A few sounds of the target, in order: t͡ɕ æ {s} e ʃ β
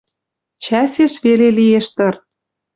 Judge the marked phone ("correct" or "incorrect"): correct